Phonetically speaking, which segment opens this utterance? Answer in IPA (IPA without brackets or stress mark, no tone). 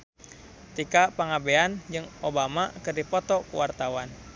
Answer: t̪